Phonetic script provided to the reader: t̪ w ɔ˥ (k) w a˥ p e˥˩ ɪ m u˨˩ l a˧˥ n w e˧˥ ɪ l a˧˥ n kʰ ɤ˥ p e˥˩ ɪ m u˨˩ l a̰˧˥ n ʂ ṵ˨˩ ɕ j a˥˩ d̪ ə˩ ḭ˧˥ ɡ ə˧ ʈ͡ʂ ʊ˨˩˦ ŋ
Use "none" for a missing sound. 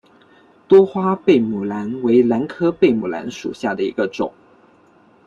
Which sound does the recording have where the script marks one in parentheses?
x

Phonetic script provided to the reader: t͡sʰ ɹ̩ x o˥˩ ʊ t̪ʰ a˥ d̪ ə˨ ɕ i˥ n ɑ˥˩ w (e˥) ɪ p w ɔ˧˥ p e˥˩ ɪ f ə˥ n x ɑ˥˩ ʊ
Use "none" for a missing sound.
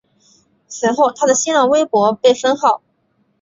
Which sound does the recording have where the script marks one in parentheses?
e˥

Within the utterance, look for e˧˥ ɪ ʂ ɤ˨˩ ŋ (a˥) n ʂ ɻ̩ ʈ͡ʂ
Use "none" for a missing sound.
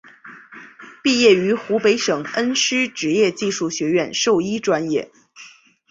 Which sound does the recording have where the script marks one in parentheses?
ə˥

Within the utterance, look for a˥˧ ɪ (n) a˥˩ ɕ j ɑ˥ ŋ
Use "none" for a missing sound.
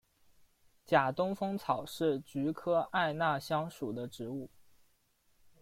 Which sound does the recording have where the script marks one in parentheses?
n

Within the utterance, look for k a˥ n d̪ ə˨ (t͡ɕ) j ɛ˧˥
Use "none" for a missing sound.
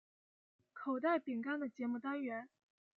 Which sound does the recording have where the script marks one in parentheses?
t͡ɕ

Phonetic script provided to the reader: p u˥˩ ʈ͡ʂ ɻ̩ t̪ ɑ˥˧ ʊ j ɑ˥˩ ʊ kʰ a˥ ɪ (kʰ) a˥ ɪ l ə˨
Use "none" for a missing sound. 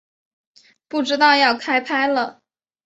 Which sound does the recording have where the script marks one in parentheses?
pʰ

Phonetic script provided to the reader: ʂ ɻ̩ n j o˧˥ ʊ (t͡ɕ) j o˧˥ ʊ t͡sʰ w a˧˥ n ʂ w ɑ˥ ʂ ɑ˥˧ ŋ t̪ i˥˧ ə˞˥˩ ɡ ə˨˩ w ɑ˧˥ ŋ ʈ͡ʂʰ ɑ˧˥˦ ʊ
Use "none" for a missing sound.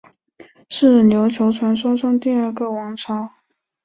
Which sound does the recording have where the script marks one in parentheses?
t͡ɕʰ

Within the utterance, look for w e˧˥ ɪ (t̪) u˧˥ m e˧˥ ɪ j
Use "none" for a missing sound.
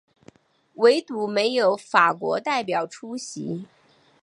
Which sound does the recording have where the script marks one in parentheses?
t̪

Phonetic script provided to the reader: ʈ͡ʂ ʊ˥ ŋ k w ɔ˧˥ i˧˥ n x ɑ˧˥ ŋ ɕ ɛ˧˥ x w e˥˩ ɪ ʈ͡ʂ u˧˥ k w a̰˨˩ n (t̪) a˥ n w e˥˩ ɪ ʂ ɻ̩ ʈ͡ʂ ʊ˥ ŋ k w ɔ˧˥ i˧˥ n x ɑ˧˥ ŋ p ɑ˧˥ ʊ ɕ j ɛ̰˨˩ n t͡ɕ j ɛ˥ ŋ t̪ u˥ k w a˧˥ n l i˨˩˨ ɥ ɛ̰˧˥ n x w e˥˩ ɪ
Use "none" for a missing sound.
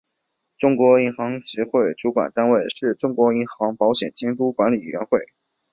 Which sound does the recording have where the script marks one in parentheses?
t̪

